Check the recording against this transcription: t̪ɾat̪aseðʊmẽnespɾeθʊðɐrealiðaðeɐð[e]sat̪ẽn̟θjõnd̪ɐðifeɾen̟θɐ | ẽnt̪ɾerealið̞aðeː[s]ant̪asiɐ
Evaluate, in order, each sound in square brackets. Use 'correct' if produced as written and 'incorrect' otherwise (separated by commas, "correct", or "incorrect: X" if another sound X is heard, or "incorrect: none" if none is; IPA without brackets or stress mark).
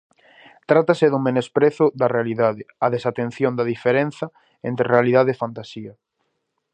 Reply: correct, incorrect: f